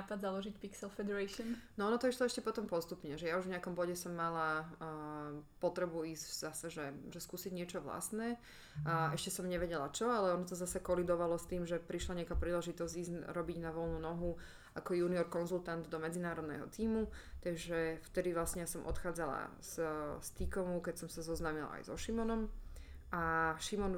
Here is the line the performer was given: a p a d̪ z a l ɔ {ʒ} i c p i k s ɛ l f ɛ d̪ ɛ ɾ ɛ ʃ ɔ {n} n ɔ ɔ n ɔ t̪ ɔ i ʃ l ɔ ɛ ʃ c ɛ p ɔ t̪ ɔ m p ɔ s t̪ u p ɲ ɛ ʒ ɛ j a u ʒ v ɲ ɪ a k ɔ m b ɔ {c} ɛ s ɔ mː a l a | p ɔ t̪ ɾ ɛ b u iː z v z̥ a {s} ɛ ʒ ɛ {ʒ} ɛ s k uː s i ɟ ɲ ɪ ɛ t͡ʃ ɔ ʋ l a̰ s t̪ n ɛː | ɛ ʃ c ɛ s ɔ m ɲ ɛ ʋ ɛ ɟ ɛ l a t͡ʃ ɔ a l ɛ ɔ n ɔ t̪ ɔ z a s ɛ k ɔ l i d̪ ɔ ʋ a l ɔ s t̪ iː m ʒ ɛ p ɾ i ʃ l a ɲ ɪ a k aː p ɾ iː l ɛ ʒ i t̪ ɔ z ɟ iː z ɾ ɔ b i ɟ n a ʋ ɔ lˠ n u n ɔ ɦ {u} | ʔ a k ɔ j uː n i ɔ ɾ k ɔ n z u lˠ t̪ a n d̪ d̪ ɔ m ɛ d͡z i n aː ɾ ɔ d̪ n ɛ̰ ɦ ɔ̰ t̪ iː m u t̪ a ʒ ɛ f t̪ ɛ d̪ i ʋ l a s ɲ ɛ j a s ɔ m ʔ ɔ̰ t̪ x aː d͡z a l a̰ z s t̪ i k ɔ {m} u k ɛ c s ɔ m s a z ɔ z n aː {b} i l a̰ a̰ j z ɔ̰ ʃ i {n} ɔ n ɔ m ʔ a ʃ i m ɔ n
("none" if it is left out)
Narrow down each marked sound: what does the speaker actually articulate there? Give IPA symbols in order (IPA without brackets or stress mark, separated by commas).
ʒ, n, ɟ, s, ʒ, u, m, m, m